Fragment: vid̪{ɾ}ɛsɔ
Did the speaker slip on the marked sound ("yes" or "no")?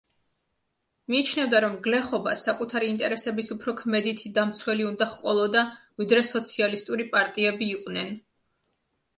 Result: no